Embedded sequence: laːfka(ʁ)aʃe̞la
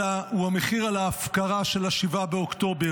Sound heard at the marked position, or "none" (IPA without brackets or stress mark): ʁ